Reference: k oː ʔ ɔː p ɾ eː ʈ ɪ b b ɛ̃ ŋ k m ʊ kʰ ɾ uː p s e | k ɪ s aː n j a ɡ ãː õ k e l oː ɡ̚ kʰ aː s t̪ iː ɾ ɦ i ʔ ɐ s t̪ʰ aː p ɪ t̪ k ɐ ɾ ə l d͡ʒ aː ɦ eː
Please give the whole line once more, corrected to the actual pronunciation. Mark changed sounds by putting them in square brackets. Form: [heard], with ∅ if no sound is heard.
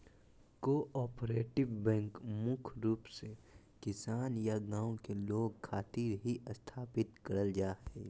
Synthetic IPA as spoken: k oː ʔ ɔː p ɾ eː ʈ ɪ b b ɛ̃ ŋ k m ʊ kʰ ɾ uː p s e | k ɪ s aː n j a ɡ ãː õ k e l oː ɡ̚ kʰ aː [∅] t̪ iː ɾ ɦ i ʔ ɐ s t̪ʰ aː p ɪ t̪ k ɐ ɾ ə l d͡ʒ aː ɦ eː

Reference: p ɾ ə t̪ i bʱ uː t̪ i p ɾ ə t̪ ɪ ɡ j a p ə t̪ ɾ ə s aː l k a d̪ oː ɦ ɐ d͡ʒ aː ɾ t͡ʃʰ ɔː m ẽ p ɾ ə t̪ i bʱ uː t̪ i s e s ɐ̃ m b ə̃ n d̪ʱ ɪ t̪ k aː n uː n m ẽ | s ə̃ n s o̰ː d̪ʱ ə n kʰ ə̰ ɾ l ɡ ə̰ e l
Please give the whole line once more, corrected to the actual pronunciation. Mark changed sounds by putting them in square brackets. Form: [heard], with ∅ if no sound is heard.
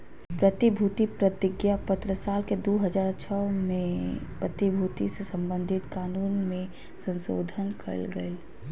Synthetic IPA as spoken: p ɾ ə t̪ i bʱ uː t̪ i p ɾ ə t̪ ɪ ɡ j a p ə t̪ ɾ ə s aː l k [e] d̪ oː ɦ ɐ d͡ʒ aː ɾ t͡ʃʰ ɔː m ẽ p ɾ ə t̪ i bʱ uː t̪ i s e s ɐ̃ m b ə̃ n d̪ʱ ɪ t̪ k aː n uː n m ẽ | s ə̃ n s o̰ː d̪ʱ ə n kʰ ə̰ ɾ l ɡ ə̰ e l

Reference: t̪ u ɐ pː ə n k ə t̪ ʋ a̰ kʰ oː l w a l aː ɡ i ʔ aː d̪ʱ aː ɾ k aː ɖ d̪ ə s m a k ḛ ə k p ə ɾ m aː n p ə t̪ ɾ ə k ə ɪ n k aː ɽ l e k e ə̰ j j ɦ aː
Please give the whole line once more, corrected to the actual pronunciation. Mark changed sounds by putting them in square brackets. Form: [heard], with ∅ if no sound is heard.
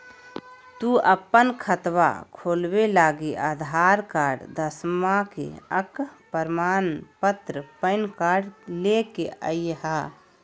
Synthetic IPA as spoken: t̪ u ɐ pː ə n [kʰ] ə t̪ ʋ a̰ kʰ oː l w [e] l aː ɡ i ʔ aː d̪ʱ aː ɾ k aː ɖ d̪ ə s m a k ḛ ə k p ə ɾ m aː n p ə t̪ ɾ ə [p] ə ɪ n k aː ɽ l e k e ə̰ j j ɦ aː

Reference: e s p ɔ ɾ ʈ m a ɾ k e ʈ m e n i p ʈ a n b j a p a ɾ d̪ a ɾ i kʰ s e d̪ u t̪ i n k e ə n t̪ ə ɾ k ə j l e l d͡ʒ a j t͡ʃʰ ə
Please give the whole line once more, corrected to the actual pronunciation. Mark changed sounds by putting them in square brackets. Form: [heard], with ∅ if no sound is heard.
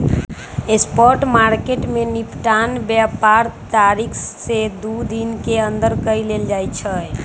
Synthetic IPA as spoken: e s p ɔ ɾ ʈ m a ɾ k e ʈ m e n i p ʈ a n b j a p a ɾ [t̪] a ɾ i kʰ s e d̪ u [d̪] i n k e ə n [d̪] ə ɾ k ə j l e l d͡ʒ a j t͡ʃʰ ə

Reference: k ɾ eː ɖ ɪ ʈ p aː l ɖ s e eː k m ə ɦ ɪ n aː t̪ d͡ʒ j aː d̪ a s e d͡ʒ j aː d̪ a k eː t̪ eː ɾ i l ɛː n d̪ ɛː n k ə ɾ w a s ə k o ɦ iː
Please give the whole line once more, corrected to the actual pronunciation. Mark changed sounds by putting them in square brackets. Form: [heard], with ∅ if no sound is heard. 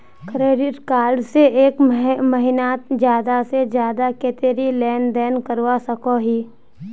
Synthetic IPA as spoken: k ɾ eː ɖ ɪ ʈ [k] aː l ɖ s e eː k m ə ɦ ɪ n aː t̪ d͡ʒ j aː d̪ a s e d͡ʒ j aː d̪ a k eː t̪ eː ɾ i l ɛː n d̪ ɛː n k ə ɾ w a s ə k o ɦ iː

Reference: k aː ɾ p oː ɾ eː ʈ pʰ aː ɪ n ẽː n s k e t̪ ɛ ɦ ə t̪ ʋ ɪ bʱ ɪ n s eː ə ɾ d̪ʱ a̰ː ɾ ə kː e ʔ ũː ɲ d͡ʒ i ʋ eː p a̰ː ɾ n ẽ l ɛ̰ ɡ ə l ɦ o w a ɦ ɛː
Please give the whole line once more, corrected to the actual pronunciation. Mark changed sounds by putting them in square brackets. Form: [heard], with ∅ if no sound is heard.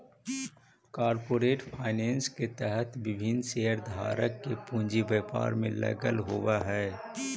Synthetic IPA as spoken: k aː ɾ p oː ɾ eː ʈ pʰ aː ɪ n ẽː n s k e t̪ ɛ ɦ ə t̪ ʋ ɪ bʱ ɪ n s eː ə ɾ d̪ʱ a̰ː ɾ ə kː e [p] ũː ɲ d͡ʒ i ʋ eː p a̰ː ɾ [m] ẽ l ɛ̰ ɡ ə l ɦ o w a ɦ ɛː

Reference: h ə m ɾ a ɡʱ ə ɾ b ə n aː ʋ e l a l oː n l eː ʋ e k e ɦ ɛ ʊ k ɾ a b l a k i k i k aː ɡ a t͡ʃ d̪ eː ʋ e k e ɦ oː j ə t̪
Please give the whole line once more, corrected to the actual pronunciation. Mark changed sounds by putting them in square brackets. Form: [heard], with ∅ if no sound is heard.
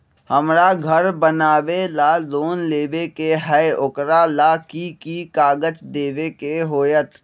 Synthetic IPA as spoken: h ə m ɾ a ɡʱ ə ɾ b ə n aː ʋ e l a l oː n l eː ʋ e k e ɦ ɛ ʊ k ɾ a [∅] l a k i k i k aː ɡ [ə] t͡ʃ d̪ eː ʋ e k e ɦ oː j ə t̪

